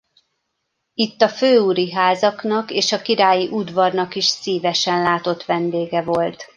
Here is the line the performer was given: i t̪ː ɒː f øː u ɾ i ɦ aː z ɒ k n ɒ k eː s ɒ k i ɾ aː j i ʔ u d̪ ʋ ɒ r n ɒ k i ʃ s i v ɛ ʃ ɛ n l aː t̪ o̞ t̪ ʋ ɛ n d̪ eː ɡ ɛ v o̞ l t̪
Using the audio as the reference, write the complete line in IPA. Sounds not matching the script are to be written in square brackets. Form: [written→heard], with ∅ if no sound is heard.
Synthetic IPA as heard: i t̪ː [ɒː→ɒ] f øː u ɾ i ɦ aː z ɒ k n ɒ k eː [s→ʃ] ɒ k i ɾ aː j i ʔ u d̪ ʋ ɒ r n ɒ k i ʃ s [i→iː] v ɛ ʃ ɛ n l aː t̪ o̞ t̪ ʋ ɛ n d̪ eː ɡ ɛ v o̞ l t̪